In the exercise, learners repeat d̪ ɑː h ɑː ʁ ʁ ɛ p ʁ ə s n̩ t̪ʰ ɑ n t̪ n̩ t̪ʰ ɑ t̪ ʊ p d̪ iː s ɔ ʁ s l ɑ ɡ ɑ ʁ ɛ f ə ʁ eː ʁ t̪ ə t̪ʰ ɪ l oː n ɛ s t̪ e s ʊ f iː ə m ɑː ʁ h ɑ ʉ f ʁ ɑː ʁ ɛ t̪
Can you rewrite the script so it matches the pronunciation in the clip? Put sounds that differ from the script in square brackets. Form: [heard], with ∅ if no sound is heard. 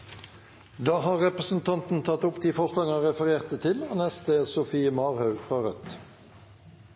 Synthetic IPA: d̪ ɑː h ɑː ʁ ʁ ɛ p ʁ ə s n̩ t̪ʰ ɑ n t̪ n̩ t̪ʰ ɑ t̪ ʊ p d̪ iː [f] ɔ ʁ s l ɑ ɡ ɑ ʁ ɛ f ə ʁ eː ʁ t̪ ə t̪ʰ ɪ l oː n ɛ s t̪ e s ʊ f iː ə m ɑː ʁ h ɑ ʉ f ʁ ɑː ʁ [œ] t̪